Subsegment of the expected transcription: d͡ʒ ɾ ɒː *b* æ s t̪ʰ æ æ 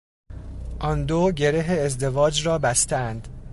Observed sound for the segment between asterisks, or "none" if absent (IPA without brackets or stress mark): b